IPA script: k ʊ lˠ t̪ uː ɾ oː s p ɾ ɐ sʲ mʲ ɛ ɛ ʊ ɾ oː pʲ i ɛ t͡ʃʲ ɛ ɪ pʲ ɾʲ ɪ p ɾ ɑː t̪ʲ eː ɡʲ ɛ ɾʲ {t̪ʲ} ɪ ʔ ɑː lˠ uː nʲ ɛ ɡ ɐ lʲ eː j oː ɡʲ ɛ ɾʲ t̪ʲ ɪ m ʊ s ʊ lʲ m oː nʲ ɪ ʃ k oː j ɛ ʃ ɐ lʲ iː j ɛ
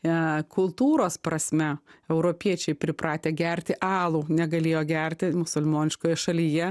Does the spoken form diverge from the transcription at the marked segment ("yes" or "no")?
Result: no